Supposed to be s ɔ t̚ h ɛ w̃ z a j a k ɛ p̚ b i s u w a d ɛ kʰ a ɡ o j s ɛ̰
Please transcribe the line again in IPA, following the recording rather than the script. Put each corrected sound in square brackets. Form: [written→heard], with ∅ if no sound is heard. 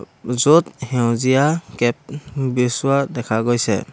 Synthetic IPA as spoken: [s→z] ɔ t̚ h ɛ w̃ z [a→i] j a k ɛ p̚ b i s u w a d ɛ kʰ a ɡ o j s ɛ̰